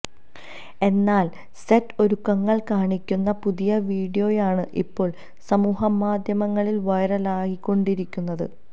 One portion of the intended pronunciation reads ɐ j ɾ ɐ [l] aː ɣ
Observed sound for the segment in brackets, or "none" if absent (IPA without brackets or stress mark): l